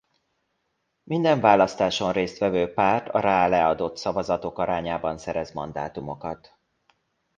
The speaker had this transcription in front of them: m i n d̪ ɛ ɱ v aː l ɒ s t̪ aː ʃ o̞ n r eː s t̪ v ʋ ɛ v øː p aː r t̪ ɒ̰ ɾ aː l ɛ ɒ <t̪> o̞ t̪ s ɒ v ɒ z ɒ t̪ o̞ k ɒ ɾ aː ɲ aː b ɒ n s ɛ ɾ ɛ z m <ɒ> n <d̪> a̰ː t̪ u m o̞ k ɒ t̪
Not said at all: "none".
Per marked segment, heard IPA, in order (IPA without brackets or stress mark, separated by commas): d̪, ɒ, d̪